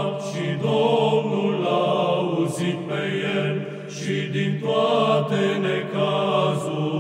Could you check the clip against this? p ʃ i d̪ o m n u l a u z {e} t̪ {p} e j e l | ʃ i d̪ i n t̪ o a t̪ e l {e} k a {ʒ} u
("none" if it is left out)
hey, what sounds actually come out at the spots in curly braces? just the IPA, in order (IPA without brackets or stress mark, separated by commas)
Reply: i, p, e, z